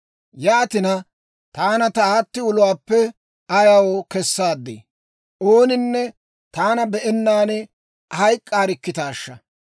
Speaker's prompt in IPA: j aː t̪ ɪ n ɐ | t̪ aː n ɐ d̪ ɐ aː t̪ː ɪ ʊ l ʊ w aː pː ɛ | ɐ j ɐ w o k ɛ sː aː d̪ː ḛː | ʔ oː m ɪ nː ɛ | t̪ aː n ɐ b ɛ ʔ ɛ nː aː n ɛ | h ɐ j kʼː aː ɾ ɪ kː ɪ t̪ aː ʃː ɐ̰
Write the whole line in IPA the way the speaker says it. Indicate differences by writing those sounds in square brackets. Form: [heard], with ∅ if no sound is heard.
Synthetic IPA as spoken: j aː t̪ ɪ n ɐ | t̪ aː n ɐ [t̪] ɐ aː t̪ː ɪ ʊ l ʊ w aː pː ɛ | ɐ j ɐ w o k ɛ sː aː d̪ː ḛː | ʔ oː [n] ɪ nː ɛ | t̪ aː n ɐ b ɛ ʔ ɛ nː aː n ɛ | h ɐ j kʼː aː ɾ ɪ kː ɪ t̪ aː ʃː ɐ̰